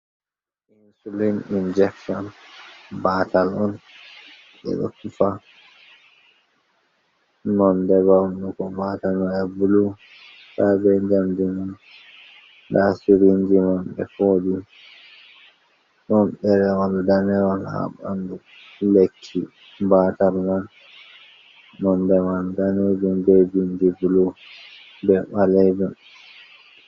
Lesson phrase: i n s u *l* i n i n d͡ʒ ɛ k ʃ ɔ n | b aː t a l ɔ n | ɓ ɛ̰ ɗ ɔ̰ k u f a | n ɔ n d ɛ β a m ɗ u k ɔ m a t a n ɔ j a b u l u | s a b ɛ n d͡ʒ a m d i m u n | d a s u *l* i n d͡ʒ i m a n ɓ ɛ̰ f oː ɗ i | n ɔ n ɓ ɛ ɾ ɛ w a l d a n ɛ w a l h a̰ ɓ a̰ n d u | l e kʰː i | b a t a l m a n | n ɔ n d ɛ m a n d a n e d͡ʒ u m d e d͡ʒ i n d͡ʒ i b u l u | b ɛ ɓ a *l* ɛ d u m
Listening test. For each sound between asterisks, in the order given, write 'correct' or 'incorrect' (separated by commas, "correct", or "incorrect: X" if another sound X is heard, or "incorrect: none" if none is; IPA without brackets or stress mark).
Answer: correct, incorrect: ɾ, correct